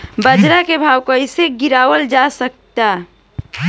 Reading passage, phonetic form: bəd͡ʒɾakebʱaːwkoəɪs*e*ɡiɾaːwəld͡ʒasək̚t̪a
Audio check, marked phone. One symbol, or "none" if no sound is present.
e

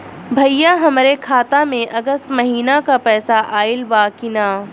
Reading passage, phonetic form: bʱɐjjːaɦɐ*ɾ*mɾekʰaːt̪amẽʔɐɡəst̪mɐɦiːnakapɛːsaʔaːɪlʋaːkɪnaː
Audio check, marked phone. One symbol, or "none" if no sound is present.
none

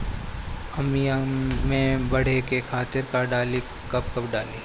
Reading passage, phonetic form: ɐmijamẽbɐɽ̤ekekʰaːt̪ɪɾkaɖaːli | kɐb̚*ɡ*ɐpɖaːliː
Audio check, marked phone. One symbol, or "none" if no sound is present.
k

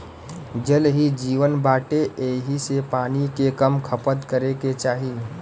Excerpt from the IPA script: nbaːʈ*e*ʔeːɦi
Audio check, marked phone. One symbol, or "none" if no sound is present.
e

